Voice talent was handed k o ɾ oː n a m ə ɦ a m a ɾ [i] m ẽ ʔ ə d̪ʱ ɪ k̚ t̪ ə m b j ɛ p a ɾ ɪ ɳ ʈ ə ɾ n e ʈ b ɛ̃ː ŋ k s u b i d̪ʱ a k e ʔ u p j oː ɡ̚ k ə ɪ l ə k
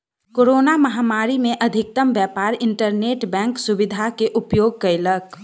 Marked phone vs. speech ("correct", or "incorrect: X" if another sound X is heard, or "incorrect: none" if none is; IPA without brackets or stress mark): correct